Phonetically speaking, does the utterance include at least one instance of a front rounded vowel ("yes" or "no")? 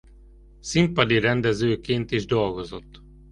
yes